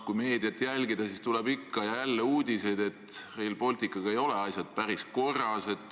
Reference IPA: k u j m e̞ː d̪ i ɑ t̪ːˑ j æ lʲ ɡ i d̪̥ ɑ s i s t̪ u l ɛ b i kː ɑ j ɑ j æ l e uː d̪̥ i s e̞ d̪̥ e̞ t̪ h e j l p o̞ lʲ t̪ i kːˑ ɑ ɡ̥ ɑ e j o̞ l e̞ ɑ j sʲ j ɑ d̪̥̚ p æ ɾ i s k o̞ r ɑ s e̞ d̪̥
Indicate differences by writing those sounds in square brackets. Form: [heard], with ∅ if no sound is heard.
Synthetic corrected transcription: k u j m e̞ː d̪ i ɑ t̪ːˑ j æ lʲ ɡ i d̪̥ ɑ s i s t̪ u l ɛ b i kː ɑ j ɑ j æ [lː] e uː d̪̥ i s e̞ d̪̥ e̞ t̪ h e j l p o̞ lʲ t̪ i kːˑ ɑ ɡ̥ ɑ e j o̞ l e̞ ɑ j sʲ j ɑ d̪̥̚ p æ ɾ i s k o̞ r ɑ s e̞ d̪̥